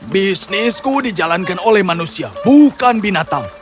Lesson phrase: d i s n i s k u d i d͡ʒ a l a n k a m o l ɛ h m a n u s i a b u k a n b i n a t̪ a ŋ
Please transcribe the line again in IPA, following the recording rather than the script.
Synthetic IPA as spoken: b i s n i s k u d i d͡ʒ a l a n k a n o l ɛ h m a n u s i a b u k a n b i n a t̪ a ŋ